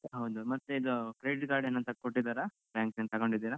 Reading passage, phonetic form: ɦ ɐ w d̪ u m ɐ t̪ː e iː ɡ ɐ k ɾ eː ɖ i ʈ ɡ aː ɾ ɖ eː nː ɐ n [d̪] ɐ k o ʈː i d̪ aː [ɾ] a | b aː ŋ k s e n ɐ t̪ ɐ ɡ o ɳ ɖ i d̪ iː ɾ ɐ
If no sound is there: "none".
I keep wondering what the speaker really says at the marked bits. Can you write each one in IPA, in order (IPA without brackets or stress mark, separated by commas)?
t̪, ɾ